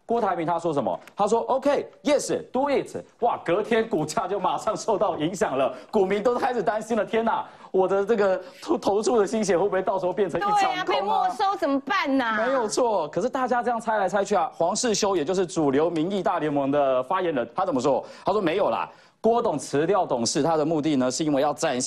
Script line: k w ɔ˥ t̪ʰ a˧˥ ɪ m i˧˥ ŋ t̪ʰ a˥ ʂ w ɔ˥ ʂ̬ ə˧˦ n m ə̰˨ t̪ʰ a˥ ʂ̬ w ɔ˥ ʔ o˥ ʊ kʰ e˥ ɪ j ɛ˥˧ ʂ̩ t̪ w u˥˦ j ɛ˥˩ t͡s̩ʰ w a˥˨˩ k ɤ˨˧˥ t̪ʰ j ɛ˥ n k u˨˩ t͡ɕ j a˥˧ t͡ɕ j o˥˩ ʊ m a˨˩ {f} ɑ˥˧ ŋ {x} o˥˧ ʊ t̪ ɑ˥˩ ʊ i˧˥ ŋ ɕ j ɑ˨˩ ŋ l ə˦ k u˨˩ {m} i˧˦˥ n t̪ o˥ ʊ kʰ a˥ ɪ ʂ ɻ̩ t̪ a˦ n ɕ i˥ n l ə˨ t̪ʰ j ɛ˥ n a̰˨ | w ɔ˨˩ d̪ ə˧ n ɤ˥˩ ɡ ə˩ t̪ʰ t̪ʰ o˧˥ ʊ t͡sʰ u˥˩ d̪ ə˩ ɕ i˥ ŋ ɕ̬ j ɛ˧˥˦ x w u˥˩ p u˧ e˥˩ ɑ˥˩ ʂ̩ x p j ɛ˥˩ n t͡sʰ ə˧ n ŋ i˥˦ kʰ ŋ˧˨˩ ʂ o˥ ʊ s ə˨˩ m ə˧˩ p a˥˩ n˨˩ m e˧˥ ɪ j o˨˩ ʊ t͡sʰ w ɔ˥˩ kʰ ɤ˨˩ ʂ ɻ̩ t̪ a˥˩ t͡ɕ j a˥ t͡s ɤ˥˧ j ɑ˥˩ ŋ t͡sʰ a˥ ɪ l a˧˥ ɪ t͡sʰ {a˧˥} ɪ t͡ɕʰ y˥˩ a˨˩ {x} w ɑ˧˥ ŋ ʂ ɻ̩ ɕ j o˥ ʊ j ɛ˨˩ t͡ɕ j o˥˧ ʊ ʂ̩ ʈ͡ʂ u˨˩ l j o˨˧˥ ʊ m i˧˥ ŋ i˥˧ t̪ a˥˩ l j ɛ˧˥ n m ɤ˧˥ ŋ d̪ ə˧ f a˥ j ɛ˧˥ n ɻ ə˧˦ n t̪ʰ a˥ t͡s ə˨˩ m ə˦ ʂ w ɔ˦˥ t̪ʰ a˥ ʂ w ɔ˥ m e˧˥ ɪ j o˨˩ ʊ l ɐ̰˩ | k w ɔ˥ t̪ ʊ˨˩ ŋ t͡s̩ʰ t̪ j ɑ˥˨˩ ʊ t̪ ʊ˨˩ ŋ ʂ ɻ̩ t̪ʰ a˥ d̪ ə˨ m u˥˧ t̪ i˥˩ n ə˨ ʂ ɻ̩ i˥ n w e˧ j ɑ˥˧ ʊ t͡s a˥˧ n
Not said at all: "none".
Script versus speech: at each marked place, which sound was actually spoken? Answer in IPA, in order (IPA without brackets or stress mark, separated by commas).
ʂ, ʂ, m, a˥, x